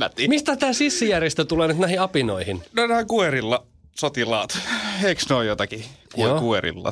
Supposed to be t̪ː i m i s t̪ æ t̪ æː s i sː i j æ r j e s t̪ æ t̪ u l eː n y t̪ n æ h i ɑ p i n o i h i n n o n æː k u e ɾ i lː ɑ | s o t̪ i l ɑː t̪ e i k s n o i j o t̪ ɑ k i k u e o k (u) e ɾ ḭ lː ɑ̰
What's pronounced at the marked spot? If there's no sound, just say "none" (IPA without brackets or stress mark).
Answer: u